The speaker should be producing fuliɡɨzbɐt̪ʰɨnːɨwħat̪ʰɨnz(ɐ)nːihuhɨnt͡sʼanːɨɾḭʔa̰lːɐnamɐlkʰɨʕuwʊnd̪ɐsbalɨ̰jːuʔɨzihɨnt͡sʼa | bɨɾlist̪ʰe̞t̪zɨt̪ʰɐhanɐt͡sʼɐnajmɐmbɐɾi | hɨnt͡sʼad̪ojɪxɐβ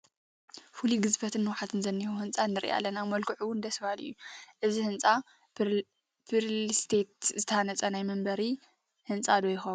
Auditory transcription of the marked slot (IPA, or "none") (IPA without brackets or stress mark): ɐ